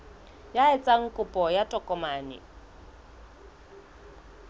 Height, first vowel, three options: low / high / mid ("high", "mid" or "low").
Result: low